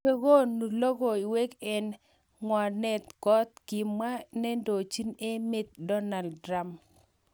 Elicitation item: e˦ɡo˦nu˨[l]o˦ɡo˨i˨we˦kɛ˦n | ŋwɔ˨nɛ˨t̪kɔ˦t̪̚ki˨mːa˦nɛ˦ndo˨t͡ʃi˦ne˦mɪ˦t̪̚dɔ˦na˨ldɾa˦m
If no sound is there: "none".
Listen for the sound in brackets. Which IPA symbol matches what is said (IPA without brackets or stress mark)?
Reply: l